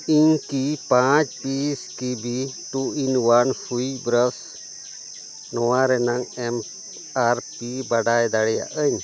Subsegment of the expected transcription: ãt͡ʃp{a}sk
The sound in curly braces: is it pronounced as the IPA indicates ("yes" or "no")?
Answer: no